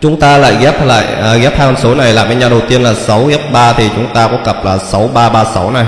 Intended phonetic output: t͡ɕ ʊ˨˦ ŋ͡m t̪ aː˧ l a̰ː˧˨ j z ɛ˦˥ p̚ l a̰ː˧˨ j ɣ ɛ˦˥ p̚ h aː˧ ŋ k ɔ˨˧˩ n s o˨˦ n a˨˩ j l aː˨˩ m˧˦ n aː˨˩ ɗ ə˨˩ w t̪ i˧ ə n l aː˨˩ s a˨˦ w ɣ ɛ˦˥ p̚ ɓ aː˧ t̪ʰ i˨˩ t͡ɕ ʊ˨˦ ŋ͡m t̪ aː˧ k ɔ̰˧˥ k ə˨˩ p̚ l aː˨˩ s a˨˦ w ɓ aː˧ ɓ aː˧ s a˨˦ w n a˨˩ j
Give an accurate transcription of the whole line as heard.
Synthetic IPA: t͡ɕ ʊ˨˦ ŋ͡m t̪ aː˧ l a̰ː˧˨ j ɣ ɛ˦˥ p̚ l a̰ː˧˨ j ɣ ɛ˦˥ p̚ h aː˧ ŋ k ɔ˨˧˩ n s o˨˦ n a˨˩ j l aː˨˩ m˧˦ ɲ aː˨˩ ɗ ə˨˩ w t̪ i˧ ə n l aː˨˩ s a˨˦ w ɣ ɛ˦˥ p̚ ɓ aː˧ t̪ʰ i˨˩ t͡ɕ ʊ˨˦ ŋ͡m t̪ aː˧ k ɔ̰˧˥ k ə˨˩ p̚ l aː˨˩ s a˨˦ w ɓ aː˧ ɓ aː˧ s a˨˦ w n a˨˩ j